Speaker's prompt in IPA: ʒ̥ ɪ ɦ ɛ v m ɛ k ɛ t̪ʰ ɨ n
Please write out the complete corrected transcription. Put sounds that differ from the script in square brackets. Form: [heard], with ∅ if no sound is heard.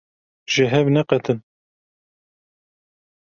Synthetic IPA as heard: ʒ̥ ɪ ɦ ɛ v [n] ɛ [q] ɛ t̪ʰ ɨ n